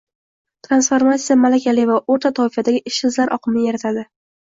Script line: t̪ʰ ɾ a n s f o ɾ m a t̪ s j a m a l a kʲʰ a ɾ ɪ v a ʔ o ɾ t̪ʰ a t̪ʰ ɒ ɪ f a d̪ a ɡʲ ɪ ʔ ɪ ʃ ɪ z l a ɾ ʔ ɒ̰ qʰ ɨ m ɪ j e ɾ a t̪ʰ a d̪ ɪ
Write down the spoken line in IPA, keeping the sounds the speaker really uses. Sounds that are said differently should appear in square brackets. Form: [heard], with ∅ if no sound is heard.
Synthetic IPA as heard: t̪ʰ ɾ a n s f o ɾ m a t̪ s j a m a l a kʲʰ a [l] ɪ v a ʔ o ɾ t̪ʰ a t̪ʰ ɒ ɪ f a d̪ a ɡʲ ɪ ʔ ɪ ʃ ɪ z l a ɾ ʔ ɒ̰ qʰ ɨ m ɪ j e ɾ a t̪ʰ a d̪ ɪ